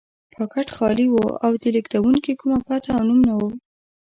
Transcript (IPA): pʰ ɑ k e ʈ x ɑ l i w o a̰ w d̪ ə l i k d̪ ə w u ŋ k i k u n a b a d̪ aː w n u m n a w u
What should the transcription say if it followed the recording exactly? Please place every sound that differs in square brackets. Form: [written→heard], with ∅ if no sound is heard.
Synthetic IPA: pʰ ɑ k [e→a] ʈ x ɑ l i w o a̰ w d̪ ə l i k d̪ [ə→a] w u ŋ k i k u [n→m] a [b→p] a [d̪→t̪] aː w n u m n a w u